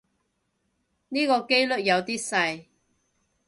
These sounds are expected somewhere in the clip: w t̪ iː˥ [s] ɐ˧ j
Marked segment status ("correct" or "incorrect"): correct